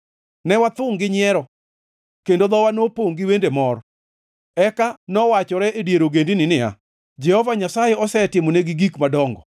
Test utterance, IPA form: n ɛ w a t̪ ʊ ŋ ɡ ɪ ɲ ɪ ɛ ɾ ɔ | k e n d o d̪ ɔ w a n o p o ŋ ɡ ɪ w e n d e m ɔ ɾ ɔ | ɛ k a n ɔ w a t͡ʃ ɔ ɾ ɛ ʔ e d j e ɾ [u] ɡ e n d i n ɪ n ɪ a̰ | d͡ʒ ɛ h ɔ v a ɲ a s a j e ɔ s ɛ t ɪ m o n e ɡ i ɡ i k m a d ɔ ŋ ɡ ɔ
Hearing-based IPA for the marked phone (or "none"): o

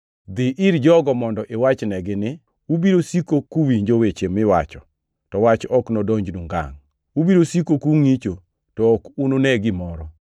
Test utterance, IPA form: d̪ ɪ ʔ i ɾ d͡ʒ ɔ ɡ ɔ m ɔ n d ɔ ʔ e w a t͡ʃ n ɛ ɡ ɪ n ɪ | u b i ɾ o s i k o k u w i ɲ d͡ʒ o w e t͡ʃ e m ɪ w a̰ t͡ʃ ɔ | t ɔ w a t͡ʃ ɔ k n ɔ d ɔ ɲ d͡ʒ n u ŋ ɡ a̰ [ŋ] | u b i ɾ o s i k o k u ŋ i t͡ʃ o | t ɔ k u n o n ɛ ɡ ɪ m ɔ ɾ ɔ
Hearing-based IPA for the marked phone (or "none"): ŋ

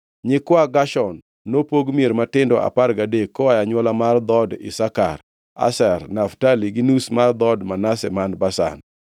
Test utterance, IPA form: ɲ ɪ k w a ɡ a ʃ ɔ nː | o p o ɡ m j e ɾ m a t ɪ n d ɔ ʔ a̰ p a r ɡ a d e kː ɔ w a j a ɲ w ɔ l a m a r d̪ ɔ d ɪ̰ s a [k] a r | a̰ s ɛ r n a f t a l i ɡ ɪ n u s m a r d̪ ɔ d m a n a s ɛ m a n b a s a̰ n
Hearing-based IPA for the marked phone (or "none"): k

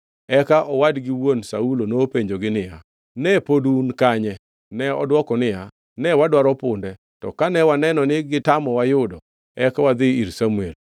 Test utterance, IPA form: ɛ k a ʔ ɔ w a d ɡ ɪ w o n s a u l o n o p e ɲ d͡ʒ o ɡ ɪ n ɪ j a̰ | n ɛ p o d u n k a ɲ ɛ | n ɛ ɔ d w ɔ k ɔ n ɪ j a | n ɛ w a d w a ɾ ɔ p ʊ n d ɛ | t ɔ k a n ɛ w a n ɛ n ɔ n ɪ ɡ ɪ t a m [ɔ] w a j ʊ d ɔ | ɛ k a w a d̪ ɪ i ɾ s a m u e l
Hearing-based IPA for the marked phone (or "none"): ɔ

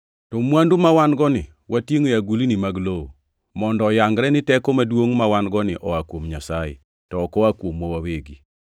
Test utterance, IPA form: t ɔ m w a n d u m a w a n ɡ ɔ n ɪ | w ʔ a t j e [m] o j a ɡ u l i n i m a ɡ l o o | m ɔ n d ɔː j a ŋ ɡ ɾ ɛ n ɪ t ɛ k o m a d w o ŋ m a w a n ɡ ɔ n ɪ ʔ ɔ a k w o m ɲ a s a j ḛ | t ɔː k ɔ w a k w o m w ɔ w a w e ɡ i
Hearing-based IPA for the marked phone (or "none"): ŋ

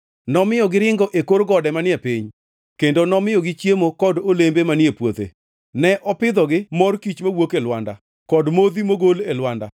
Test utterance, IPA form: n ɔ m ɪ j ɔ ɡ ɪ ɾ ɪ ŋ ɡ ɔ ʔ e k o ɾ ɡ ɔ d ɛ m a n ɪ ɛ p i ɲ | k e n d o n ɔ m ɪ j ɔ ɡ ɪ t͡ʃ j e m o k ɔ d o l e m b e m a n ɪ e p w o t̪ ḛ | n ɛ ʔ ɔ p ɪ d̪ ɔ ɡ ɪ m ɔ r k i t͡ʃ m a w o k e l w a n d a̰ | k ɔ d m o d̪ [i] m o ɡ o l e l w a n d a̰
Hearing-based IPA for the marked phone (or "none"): i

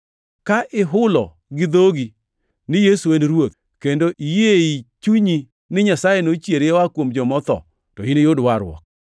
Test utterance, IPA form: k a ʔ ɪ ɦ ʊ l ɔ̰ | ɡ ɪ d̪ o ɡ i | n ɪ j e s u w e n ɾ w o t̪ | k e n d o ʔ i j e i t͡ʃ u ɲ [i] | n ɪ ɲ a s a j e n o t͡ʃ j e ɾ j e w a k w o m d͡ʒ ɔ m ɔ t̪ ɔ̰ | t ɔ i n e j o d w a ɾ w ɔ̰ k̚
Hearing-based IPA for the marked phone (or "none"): i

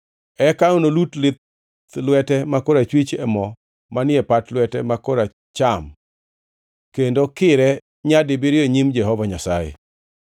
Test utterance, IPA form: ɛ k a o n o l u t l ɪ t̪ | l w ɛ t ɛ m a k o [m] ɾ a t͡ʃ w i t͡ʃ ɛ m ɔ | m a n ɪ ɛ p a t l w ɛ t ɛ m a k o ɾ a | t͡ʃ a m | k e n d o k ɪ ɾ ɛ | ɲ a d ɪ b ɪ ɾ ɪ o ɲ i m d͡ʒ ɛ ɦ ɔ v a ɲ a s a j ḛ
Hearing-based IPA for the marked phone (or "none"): none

